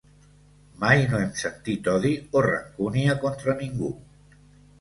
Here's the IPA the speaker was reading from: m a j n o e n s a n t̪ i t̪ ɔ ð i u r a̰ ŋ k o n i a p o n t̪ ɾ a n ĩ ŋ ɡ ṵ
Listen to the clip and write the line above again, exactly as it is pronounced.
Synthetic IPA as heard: m a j n o e m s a n t̪ i t̪ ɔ ð i o r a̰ ŋ k u n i a k o n t̪ ɾ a n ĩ ŋ ɡ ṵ